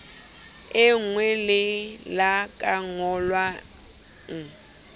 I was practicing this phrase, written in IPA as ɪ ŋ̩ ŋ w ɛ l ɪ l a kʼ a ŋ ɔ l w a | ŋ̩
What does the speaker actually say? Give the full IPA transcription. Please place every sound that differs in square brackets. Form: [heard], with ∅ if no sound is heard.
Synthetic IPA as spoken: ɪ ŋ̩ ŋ w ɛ l ɪ l a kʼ a ŋ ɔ l w a | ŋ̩